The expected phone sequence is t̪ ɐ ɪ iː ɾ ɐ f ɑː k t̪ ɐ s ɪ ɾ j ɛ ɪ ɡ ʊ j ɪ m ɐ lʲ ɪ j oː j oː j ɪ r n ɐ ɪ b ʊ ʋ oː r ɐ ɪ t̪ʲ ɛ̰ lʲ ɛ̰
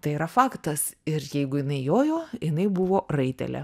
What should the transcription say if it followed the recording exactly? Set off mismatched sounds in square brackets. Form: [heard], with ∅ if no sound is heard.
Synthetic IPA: t̪ ɐ ɪ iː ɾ ɐ f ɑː k t̪ ɐ s ɪ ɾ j ɛ ɪ ɡ ʊ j ɪ [n] ɐ [∅] ɪ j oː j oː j ɪ [∅] n ɐ ɪ b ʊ ʋ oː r ɐ ɪ t̪ʲ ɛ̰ lʲ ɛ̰